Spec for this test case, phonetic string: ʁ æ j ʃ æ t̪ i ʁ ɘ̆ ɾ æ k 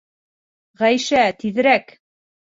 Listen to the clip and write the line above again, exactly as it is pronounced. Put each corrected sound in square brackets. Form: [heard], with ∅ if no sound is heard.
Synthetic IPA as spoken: ʁ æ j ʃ æ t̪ i [ð] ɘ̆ ɾ æ k